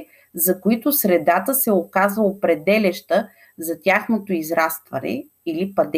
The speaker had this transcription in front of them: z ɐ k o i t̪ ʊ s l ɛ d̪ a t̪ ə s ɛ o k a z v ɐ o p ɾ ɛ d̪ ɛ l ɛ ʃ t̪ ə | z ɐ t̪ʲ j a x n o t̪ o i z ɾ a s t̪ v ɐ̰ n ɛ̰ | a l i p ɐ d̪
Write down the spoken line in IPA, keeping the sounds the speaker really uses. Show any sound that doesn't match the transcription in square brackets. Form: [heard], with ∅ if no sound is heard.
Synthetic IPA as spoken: z ɐ k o i t̪ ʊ s [ɾ] ɛ d̪ a t̪ ə s ɛ o k a z v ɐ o p ɾ ɛ d̪ ɛ l ɛ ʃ t̪ ə | z ɐ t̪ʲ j a x n o t̪ o i z ɾ a s t̪ v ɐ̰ n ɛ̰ | [i] l i p ɐ d̪